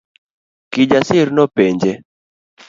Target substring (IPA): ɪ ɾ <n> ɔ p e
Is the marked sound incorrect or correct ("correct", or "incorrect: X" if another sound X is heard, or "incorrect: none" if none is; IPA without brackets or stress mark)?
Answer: correct